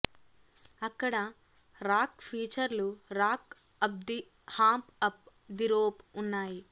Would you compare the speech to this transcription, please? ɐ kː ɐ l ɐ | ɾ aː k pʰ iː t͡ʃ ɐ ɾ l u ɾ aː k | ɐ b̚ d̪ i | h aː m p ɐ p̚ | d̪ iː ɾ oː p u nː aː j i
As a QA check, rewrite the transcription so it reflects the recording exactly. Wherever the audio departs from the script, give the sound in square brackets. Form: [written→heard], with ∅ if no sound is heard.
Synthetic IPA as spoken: ɐ kː ɐ [l→ɽ] ɐ | ɾ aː k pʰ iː t͡ʃ ɐ ɾ l u ɾ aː k | ɐ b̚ d̪ i | h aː m p ɐ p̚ | d̪ [iː→i] ɾ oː p u nː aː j i